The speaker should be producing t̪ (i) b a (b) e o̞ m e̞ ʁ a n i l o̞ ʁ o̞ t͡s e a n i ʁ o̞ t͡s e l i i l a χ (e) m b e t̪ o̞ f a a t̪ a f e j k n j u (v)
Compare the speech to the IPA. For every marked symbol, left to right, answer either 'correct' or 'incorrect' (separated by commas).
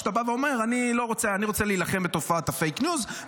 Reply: incorrect, incorrect, correct, incorrect